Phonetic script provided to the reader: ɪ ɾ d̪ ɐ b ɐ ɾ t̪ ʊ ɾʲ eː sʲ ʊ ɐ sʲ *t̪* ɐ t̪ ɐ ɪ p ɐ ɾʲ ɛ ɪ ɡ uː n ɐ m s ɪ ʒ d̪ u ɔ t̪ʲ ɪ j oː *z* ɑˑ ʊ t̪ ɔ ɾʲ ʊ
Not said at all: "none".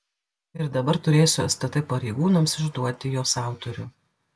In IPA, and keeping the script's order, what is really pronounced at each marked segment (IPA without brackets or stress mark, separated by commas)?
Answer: t̪, s